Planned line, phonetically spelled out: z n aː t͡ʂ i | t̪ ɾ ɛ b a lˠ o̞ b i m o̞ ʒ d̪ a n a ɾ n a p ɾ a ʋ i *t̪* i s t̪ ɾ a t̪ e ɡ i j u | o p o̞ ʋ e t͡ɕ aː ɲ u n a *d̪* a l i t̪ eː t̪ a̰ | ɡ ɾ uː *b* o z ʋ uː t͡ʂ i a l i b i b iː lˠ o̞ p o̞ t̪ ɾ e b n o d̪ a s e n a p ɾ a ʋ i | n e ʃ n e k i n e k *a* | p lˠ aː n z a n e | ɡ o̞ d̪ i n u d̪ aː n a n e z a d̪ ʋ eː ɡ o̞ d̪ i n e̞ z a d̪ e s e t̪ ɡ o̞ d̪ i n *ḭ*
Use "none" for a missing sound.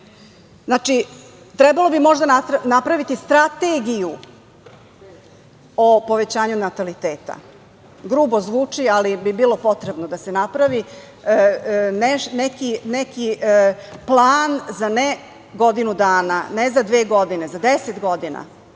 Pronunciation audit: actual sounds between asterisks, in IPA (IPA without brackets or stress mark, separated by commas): t̪, t̪, b, i, a̰